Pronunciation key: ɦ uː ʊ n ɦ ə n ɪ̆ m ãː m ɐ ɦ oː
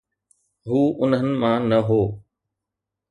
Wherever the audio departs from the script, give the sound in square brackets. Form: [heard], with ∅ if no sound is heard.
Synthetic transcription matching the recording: ɦ uː ʊ n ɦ ə n ɪ̆ m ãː [n] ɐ ɦ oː